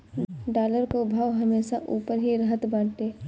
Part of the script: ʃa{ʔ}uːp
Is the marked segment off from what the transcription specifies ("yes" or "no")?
no